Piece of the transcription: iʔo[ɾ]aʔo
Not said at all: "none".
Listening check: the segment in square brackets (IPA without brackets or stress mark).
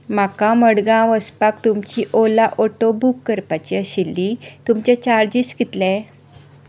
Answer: l